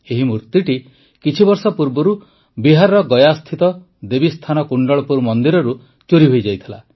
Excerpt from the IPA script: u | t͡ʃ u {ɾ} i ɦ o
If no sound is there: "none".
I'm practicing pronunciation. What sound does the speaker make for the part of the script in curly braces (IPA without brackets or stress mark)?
ɾ